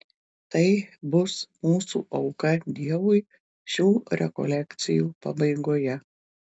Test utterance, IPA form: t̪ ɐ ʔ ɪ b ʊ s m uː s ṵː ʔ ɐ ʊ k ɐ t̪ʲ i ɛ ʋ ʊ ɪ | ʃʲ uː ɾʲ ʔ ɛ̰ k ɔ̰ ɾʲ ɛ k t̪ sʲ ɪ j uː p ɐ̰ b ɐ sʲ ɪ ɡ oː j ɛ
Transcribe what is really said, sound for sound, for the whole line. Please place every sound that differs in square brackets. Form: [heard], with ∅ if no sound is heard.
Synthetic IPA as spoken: t̪ ɐ [∅] ɪ b ʊ s m uː s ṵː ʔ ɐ ʊ k ɐ [d̪ʲ] i ɛ ʋ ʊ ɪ | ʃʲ uː ɾʲ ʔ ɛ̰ k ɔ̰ [lʲ] ɛ k t̪ sʲ ɪ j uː p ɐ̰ b ɐ [∅] ɪ ɡ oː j ɛ